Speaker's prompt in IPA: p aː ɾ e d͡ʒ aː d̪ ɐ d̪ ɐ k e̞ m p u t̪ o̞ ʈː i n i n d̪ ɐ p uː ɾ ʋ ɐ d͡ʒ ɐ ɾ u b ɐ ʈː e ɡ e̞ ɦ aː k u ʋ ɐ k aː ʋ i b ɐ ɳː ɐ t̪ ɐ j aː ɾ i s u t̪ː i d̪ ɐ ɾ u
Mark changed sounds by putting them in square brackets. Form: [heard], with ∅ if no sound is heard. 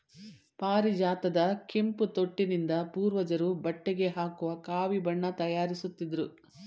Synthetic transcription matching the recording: p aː ɾ [i] d͡ʒ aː [t̪] ɐ d̪ ɐ k e̞ m p u t̪ o̞ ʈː i n i n d̪ ɐ p uː ɾ ʋ ɐ d͡ʒ ɐ ɾ u b ɐ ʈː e ɡ e̞ ɦ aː k u ʋ ɐ k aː ʋ i b ɐ ɳː ɐ t̪ ɐ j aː ɾ i s u t̪ː i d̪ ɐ ɾ u